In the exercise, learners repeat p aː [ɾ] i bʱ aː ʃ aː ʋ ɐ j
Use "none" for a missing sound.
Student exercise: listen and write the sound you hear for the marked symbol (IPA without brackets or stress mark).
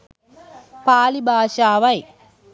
l